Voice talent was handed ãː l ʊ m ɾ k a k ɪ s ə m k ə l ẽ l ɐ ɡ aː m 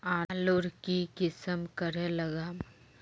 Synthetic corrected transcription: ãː l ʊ ɾ k i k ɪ s ə m k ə ɾ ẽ l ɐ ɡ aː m